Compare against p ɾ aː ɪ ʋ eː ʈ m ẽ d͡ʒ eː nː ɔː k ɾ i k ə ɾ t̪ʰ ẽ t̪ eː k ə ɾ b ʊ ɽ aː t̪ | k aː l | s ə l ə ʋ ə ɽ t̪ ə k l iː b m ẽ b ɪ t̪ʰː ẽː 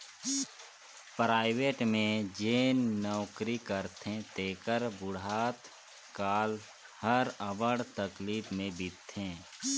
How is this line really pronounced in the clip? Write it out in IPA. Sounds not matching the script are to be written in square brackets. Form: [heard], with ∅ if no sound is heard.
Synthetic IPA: p ɾ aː ɪ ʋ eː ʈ m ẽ d͡ʒ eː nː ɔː k ɾ i k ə ɾ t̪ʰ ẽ t̪ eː k ə ɾ b ʊ ɽ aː t̪ | k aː l | [h] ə [ɾ] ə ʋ ə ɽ t̪ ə k l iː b m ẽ b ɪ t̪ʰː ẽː